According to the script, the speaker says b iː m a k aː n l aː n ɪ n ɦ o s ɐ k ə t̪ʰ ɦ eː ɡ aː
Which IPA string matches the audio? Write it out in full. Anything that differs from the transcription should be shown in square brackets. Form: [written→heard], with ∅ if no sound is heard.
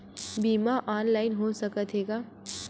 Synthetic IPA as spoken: b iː m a [k→ʔ] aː n l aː [n→∅] ɪ n ɦ o s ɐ k ə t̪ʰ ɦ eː ɡ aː